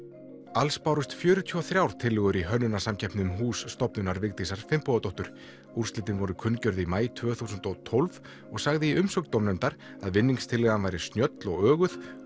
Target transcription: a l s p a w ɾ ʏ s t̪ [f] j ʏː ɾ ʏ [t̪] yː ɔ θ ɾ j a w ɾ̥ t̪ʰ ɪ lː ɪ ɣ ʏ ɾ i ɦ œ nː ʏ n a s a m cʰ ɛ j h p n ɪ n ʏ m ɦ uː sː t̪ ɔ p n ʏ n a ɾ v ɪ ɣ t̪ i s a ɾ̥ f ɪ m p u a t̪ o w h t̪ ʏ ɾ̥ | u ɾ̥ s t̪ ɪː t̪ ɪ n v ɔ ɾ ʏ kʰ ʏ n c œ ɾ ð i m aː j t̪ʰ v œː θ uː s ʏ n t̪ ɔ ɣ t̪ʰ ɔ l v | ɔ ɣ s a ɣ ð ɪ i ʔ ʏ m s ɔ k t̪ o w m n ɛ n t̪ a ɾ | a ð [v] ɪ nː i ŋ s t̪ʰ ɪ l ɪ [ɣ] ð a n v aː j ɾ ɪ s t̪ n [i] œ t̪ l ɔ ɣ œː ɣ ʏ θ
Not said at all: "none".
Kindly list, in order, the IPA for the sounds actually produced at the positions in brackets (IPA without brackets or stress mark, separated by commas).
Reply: f, t̪ʰ, v, ɣ, j